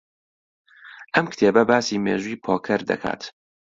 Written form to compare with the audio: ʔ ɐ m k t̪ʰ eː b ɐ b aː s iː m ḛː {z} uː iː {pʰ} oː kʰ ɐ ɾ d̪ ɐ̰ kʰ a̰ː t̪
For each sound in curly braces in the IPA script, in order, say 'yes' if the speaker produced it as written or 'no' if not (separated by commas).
no, yes